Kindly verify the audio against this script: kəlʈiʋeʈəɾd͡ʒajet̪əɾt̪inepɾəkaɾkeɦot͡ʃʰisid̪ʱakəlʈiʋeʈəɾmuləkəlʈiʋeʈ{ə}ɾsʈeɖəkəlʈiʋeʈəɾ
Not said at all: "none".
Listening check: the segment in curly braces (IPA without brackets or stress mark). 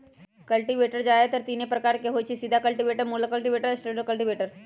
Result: ə